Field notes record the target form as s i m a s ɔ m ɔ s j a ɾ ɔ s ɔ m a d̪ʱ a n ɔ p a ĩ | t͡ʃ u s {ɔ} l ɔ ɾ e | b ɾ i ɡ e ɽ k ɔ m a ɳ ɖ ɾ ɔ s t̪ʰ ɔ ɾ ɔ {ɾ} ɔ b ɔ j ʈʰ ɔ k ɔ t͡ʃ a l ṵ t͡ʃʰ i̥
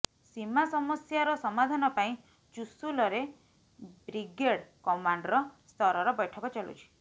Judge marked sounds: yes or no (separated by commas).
no, yes